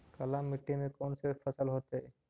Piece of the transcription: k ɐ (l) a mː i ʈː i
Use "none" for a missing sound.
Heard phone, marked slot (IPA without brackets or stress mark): l